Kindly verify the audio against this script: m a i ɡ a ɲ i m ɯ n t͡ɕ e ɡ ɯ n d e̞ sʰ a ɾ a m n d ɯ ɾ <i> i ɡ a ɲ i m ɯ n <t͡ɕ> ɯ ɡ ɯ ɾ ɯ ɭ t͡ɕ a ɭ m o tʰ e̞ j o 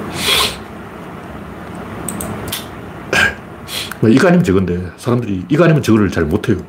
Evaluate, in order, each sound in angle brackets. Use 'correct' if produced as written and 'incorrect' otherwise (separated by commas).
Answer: correct, correct